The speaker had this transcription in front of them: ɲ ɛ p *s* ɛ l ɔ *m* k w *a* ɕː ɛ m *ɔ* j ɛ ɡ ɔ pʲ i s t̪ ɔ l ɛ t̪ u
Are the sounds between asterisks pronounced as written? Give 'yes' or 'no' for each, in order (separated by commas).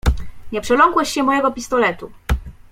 no, no, no, yes